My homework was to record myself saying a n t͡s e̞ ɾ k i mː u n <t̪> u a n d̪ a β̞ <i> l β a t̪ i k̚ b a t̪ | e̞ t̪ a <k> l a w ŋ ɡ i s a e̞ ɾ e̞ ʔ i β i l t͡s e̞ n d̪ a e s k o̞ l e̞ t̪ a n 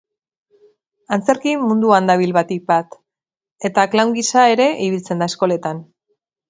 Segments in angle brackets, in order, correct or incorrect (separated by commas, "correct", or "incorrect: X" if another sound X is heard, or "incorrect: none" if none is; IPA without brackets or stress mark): incorrect: d̪, correct, correct